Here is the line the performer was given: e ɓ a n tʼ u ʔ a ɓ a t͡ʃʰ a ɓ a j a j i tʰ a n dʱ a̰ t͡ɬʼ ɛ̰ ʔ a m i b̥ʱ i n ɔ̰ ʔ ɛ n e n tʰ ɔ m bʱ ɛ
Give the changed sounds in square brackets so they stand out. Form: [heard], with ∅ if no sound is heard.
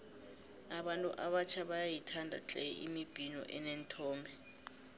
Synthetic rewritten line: [a] ɓ a n tʼ u ʔ a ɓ a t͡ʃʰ a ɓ a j a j i tʰ a n dʱ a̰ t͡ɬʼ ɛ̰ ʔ [i] m i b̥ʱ i n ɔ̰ ʔ ɛ n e n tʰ [ɔː] m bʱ ɛ